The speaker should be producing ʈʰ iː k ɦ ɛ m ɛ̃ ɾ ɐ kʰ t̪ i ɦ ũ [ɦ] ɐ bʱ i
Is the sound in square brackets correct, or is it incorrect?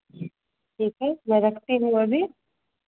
incorrect: none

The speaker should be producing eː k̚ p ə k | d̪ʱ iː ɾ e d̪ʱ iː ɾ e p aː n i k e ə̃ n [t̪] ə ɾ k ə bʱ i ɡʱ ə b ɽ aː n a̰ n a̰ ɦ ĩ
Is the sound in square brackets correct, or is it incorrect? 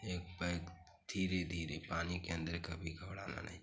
incorrect: d̪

